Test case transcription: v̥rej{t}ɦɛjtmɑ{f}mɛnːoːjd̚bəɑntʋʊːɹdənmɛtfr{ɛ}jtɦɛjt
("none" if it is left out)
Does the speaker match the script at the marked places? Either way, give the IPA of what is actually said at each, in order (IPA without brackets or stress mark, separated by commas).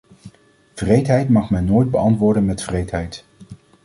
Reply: t, χ, e